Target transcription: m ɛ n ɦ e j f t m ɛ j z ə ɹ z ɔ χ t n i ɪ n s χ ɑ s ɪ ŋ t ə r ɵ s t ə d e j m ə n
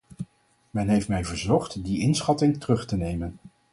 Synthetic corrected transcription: m ɛ n ɦ e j f t m ɛ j v ə ɹ z ɔ χ t d i ɪ n s χ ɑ t ɪ ŋ t ə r ɵ χ t ə n e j m ə n

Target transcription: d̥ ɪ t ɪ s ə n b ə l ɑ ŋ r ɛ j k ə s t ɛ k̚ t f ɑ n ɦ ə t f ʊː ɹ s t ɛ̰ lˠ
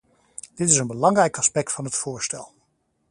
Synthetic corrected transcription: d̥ ɪ t ɪ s ə n b ə l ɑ ŋ r ɛ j k ɑ s p ɛ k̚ t f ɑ n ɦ ə t f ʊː ɹ s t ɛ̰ lˠ

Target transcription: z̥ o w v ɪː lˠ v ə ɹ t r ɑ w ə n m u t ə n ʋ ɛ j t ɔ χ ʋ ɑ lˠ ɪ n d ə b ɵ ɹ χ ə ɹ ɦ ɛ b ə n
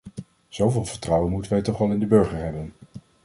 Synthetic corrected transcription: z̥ o w v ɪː lˠ v ə ɹ t r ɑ w ə n m u t ə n ʋ ɛ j t ɔ χ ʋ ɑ lˠ ɪ n d ə b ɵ ɹ χ ə ɹ ɦ ɛ b ə n

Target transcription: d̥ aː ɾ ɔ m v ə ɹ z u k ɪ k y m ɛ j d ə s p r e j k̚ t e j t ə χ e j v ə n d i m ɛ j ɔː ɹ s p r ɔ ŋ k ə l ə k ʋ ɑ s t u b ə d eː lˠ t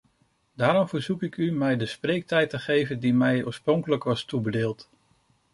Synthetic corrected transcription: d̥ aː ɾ ɔ m v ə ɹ z u k ɪ k y m ɛ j d ə s p r e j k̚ t ɛ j t ə χ e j v ə n d i m ɛ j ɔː ɹ s p r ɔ ŋ k ə l ə k ʋ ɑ s t u b ə d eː lˠ t

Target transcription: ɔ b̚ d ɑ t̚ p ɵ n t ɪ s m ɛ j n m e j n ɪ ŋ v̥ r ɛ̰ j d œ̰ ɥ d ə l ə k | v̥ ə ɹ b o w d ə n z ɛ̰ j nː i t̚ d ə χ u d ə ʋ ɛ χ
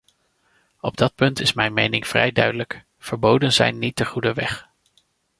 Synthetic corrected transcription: ɔ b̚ d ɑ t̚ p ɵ n t ɪ s m ɛ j n m e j n ɪ ŋ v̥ r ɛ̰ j d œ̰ ɥ d ə l ə k | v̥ ə ɹ b o w d ə n z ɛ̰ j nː i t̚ d ə χ u d ə ʋ ɛ χ

